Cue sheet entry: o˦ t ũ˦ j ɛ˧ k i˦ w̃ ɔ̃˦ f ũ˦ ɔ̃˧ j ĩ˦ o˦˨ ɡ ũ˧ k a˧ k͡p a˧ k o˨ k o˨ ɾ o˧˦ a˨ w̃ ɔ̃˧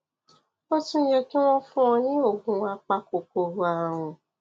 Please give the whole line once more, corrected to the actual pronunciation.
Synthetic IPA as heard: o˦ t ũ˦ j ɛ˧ k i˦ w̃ ɔ̃˦ f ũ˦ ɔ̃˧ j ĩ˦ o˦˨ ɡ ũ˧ a˧ k͡p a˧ k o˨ k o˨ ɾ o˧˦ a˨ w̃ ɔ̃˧